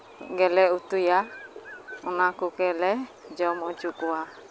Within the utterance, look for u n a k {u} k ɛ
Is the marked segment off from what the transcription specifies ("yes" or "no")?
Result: no